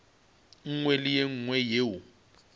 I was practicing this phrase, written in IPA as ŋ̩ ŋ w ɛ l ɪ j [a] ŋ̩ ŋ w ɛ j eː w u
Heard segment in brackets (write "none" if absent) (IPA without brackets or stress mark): e